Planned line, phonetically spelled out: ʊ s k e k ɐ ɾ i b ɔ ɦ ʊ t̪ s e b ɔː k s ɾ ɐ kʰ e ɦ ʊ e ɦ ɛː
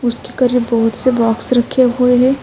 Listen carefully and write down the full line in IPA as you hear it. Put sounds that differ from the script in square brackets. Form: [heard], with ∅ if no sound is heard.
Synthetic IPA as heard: ʊ s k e k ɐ ɾ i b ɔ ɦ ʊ t̪ s e b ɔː k s ɾ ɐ kʰ e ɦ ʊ e ɦ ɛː